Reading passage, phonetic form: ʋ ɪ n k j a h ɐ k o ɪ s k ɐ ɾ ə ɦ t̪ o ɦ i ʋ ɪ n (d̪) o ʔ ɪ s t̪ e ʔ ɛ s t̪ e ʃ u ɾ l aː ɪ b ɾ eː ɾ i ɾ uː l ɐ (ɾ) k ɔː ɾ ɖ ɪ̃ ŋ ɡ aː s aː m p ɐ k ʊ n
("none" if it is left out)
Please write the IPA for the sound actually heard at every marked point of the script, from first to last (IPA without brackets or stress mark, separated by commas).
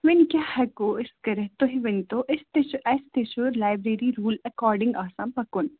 t̪, none